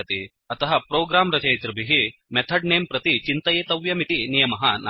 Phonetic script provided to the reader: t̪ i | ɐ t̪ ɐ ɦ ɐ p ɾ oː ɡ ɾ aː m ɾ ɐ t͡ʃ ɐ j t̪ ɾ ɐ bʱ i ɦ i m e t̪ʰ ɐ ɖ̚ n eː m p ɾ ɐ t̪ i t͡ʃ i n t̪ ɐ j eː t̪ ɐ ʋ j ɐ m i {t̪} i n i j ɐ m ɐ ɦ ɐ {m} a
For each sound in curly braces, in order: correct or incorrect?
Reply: correct, incorrect: n

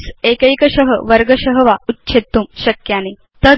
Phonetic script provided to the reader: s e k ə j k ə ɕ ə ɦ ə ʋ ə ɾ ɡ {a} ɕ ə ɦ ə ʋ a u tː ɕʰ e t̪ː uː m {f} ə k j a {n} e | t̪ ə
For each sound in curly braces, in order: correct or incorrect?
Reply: incorrect: ə, incorrect: ɕ, correct

